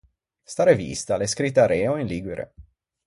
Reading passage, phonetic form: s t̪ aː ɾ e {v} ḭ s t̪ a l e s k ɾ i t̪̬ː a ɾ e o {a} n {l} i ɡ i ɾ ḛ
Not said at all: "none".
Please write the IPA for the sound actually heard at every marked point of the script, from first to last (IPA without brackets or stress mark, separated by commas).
v, i, l